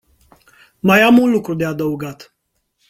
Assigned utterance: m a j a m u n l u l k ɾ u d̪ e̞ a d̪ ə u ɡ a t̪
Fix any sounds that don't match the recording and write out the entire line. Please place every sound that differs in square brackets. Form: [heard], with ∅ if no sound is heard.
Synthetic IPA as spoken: m a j a m u n l u [∅] k ɾ u d̪ e̞ a d̪ ə u ɡ a t̪